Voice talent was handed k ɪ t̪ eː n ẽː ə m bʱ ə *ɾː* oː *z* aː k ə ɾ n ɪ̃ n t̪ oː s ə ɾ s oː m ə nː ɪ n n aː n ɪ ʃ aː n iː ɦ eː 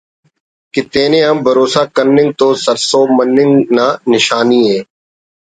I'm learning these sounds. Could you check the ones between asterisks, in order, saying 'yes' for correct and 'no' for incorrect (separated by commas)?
no, no